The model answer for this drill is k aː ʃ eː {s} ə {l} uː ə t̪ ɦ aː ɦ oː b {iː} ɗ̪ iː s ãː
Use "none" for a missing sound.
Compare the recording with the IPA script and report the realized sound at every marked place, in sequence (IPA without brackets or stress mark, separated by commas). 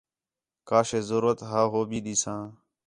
z, ɾ, iː